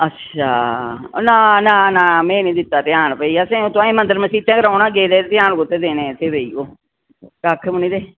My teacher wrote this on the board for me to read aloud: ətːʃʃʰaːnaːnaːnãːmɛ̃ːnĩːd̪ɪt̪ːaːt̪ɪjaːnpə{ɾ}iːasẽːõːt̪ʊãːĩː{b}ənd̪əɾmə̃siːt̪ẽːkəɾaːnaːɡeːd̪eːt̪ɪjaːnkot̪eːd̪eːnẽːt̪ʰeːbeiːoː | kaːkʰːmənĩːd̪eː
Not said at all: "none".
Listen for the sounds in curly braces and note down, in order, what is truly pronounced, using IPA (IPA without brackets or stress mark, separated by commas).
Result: none, m